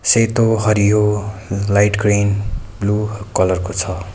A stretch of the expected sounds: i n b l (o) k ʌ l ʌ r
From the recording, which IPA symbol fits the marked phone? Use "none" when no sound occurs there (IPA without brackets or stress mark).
u